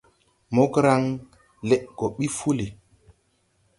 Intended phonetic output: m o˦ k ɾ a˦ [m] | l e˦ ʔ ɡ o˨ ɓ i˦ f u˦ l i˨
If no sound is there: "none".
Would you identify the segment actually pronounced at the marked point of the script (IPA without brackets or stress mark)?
ŋ